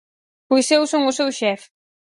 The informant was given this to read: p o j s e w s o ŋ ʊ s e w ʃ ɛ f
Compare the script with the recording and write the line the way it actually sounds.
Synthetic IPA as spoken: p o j s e w s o ŋ ʊ s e w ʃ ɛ f